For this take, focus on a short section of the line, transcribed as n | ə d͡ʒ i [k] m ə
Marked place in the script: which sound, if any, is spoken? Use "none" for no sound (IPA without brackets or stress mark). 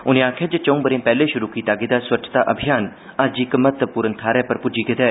k